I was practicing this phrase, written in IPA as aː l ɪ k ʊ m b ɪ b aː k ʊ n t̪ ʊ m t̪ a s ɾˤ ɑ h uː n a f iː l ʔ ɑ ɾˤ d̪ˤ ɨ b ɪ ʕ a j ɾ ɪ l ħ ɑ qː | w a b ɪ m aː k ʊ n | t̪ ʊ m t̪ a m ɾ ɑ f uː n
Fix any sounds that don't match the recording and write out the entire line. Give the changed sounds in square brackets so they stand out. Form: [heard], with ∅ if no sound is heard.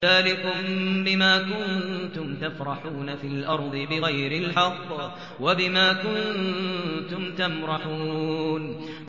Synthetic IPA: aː l ɪ k ʊ m b ɪ [m] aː k ʊ n t̪ ʊ m t̪ a [f] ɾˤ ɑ [ħ] uː n a f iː l ʔ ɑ ɾˤ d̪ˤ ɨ b ɪ [ɣ] a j ɾ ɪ l ħ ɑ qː | w a b ɪ m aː k ʊ n | t̪ ʊ m t̪ a m ɾ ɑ [ħ] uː n

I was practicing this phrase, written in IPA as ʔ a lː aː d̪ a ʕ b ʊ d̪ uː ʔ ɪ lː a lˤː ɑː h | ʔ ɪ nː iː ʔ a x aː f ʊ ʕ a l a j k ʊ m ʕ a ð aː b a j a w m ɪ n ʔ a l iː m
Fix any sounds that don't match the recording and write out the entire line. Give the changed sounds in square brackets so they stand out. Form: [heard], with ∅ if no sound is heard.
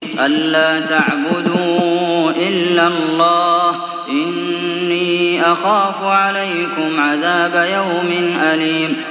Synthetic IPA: ʔ a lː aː [t̪] a ʕ b ʊ d̪ uː ʔ ɪ lː a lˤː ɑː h | ʔ ɪ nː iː ʔ a x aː f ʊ ʕ a l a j k ʊ m ʕ a ð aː b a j a w m ɪ n ʔ a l iː m

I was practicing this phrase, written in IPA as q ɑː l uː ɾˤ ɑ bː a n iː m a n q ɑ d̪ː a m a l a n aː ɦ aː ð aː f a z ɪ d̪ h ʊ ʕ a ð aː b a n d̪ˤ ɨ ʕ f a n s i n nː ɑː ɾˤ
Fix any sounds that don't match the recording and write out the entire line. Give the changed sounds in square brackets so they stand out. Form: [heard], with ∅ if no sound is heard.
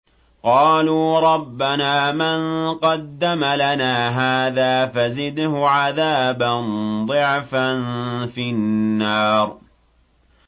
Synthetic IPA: q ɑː l uː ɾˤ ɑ bː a n [aː] m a n q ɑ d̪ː a m a l a n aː ɦ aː ð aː f a z ɪ d̪ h ʊ ʕ a ð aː b a n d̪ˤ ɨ ʕ f a n [f] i n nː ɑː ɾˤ

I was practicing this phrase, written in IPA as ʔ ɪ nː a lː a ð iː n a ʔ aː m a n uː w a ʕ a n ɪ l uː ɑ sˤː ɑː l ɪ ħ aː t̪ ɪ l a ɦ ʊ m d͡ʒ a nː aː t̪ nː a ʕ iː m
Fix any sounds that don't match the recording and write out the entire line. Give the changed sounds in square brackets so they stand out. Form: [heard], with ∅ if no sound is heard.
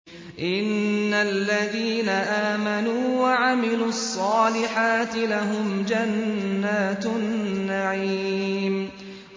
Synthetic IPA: ʔ ɪ nː a lː a ð iː n a ʔ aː m a n uː w a ʕ a [m] ɪ l uː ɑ sˤː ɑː l ɪ ħ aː t̪ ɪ l a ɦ ʊ m d͡ʒ a nː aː t̪ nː a ʕ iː m

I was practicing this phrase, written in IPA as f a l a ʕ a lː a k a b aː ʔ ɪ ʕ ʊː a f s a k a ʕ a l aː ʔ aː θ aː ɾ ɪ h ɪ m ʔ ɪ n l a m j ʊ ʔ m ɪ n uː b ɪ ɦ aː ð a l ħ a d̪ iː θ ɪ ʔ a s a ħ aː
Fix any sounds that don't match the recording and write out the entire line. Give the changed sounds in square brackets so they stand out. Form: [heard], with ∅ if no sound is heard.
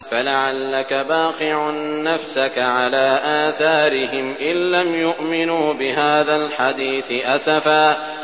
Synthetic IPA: f a l a ʕ a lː a k a b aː [q] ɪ ʕ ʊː a f s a k a ʕ a l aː ʔ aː θ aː ɾ ɪ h ɪ m ʔ ɪ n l a m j ʊ ʔ m ɪ n uː b ɪ ɦ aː ð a l ħ a d̪ iː θ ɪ ʔ a s a [f] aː

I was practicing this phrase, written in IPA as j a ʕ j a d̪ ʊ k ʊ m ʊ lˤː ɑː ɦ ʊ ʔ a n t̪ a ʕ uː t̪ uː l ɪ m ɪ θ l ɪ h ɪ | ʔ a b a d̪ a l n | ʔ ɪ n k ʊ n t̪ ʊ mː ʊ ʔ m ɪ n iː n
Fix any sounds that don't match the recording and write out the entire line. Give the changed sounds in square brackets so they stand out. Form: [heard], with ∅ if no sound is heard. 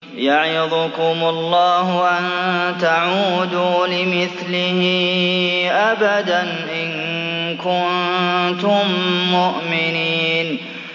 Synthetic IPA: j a ʕ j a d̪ ʊ k ʊ m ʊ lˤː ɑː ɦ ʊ ʔ a n t̪ a ʕ uː [d̪] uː l ɪ m ɪ θ l ɪ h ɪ | ʔ a b a d̪ a [∅] n | ʔ ɪ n k ʊ n t̪ ʊ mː ʊ ʔ m ɪ n iː n

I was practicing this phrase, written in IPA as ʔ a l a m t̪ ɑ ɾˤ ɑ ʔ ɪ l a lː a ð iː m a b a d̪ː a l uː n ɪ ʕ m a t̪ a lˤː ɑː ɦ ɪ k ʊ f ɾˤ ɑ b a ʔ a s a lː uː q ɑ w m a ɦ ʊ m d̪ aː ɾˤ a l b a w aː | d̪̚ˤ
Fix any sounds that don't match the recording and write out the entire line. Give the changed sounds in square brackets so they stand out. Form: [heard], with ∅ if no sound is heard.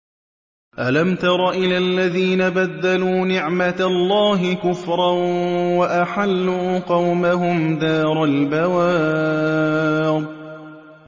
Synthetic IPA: ʔ a l a m t̪ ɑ ɾˤ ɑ ʔ ɪ l a lː a ð iː [n] a b a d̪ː a l uː n ɪ ʕ m a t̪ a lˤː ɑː ɦ ɪ k ʊ f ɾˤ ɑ [w] a ʔ a [ħ] a lː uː q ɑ w m a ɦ ʊ m d̪ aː ɾˤ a l b a w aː | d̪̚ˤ

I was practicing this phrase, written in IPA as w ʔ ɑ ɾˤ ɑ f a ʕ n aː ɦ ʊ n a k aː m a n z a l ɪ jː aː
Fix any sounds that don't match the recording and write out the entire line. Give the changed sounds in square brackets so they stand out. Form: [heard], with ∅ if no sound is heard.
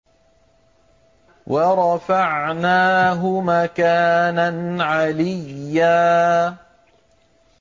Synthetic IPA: w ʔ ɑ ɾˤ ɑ f a ʕ n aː ɦ ʊ [m] a k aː [n] a n [ʕ] a l ɪ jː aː

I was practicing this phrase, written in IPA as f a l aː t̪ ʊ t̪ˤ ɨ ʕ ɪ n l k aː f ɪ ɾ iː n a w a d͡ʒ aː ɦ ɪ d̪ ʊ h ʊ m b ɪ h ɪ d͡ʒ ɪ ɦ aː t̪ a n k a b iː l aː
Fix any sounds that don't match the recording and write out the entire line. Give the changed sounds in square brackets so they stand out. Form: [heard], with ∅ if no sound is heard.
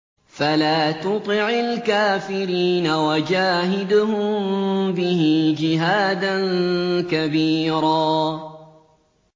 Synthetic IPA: f a l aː t̪ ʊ t̪ˤ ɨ ʕ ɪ [∅] l k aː f ɪ ɾ iː n a w a d͡ʒ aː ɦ ɪ d̪ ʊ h ʊ m b ɪ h ɪ d͡ʒ ɪ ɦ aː [d̪] a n k a b iː [ɾ] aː

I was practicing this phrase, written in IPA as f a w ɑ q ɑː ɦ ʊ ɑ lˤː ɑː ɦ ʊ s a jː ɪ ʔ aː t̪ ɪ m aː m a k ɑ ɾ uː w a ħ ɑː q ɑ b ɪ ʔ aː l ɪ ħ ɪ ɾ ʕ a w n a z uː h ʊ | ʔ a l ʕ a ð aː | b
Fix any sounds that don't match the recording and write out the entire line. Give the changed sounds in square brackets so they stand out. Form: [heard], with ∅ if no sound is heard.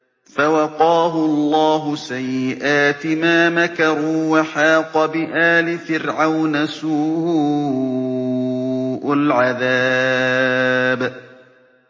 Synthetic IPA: f a w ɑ q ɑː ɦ ʊ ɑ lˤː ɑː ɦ ʊ s a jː ɪ ʔ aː t̪ ɪ m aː m a k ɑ ɾ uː w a ħ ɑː q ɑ b ɪ ʔ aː l ɪ [f] ɪ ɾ ʕ a w n a [s] uː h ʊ | ʔ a l ʕ a ð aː | b

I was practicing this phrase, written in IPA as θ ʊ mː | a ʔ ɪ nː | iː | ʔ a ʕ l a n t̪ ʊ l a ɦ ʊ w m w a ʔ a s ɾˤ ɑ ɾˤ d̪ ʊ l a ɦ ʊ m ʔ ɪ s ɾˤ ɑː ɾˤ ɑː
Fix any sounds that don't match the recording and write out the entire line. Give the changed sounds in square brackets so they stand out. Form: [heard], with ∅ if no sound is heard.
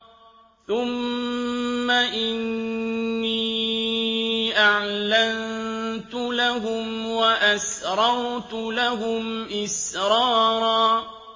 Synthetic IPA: θ ʊ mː | a ʔ ɪ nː | iː | ʔ a ʕ l a n t̪ ʊ l a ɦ ʊ [∅] m w a ʔ a s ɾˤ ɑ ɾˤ [t̪] ʊ l a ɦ ʊ m ʔ ɪ s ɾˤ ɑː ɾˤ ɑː

